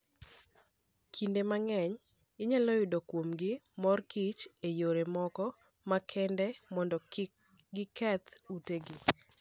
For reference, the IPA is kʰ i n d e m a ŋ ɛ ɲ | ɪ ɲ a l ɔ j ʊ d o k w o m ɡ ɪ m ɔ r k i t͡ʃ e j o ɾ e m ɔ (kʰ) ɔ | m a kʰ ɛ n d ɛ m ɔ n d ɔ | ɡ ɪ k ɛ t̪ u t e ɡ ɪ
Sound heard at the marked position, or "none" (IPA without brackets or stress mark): k